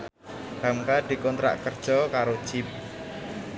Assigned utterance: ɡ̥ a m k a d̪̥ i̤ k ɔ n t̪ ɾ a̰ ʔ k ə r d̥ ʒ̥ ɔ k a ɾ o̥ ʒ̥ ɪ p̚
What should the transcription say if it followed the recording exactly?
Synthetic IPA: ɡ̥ a m k a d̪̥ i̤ k ɔ n t̪ ɾ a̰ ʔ k ə r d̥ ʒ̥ ɔ k a ɾ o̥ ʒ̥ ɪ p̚